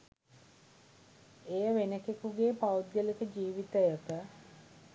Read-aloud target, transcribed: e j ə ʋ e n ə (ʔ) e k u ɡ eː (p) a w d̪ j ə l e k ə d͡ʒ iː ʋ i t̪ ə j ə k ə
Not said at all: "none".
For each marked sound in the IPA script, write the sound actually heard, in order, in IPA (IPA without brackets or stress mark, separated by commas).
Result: k, p